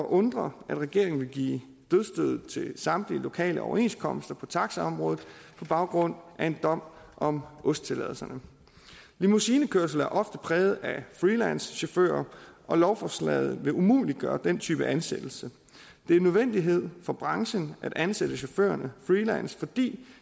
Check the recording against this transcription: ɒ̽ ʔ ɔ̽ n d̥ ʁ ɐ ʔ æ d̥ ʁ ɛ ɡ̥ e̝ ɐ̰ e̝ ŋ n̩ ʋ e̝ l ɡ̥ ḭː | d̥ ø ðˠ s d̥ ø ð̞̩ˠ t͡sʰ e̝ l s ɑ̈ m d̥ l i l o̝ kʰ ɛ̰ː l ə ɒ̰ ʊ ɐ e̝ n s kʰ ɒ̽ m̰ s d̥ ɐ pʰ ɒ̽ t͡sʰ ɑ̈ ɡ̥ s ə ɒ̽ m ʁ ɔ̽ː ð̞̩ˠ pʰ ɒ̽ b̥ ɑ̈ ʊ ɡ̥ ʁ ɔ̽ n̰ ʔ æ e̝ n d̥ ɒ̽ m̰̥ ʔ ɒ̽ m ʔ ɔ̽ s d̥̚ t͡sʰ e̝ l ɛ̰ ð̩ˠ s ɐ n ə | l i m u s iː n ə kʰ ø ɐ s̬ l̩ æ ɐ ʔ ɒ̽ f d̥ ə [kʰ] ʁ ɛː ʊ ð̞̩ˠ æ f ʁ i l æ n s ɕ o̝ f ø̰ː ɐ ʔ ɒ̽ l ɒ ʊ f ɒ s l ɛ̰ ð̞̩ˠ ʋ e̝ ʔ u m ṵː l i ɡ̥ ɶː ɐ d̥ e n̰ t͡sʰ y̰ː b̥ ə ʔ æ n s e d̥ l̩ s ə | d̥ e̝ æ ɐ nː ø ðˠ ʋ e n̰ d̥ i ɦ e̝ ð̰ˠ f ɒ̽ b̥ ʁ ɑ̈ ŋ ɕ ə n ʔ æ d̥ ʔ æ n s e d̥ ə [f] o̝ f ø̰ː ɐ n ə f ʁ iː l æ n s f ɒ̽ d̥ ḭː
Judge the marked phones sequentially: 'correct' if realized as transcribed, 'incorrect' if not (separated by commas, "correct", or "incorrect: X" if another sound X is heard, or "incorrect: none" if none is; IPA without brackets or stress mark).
incorrect: pʰ, incorrect: ɕ